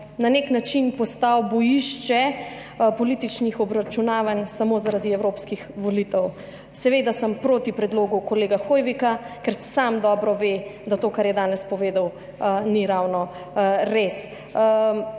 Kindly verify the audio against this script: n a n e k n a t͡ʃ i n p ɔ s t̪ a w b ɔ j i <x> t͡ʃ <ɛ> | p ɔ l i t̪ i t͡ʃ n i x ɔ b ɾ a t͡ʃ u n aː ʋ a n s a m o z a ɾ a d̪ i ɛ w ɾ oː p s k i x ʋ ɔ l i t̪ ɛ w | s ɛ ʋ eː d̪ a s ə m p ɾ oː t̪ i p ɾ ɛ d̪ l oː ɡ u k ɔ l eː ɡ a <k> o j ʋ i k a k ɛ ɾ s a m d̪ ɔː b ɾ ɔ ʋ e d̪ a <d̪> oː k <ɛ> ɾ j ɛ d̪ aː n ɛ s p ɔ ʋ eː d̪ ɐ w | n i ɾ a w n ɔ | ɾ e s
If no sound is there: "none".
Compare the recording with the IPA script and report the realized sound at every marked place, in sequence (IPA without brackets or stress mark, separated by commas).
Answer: ʃ, ɛ, x, t̪, a